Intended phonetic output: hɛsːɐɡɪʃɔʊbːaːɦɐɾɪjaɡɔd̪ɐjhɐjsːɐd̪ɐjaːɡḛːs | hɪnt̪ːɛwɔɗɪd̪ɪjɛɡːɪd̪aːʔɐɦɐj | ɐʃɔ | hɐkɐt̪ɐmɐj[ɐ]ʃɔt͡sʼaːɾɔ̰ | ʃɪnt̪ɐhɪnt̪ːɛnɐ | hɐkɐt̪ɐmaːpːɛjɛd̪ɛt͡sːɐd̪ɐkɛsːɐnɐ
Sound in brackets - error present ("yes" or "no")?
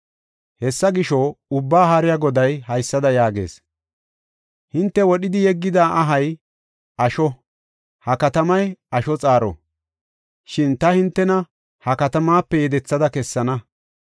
no